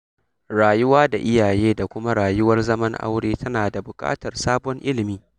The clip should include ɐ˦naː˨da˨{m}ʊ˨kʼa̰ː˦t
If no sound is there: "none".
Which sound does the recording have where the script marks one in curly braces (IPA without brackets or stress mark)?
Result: b